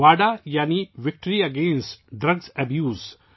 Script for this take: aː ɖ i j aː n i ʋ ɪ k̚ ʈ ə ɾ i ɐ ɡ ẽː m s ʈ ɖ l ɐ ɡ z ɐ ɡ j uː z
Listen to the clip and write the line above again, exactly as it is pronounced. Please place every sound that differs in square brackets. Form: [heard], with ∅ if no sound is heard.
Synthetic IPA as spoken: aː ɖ [a] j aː n i ʋ ɪ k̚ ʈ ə ɾ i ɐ ɡ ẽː [n] s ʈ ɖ [ɾ] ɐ ɡ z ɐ [b] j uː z